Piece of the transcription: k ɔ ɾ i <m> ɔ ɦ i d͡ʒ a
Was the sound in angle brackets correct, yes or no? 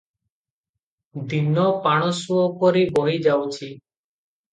no